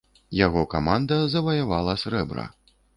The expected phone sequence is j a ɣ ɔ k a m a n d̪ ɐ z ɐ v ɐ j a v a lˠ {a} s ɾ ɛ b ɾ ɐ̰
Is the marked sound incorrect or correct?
incorrect